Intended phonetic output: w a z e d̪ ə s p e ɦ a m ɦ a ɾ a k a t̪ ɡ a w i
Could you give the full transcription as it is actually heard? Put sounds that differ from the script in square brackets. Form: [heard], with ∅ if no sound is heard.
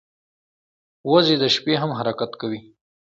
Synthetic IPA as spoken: w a z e d̪ ə [ʃ] p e ɦ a m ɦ a ɾ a k a t̪ [k] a w i